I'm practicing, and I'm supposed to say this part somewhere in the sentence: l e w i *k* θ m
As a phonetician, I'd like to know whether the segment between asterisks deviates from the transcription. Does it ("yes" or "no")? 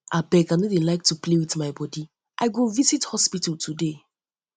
yes